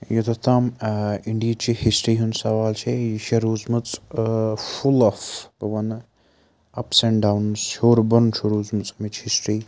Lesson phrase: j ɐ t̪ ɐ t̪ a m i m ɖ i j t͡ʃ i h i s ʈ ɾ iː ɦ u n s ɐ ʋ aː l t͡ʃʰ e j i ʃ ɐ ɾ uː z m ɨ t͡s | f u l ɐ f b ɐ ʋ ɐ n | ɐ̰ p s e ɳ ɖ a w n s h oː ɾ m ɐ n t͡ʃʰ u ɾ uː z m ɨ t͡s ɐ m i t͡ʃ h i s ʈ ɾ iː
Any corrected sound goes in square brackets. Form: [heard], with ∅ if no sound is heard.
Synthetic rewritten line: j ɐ t̪ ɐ t̪ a m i [ɳ] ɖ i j t͡ʃ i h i s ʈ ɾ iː ɦ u n s ɐ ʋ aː l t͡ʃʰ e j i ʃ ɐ ɾ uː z m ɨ t͡s | f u l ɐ f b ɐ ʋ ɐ n | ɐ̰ p s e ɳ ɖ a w n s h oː ɾ [b] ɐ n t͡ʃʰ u ɾ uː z m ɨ t͡s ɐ m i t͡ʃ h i s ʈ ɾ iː